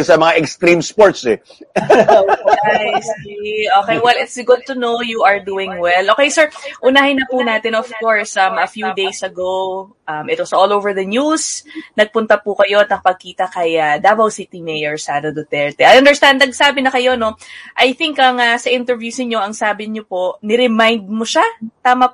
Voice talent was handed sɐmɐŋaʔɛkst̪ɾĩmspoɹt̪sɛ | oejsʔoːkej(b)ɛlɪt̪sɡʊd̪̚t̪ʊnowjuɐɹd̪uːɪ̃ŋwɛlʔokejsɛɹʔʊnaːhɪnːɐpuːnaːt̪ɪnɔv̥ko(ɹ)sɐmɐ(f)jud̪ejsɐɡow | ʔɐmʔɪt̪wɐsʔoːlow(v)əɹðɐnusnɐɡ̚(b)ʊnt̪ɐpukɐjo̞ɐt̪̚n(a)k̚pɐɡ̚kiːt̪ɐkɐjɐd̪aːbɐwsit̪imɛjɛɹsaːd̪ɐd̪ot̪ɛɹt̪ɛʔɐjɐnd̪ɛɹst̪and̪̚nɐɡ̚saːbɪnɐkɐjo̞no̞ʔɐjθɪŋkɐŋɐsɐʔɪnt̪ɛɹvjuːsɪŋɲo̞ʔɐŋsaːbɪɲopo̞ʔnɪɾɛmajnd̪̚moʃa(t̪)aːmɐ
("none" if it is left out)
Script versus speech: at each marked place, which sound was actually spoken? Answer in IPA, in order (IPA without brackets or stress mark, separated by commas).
w, ɹ, f, v, p, ɐ, t̪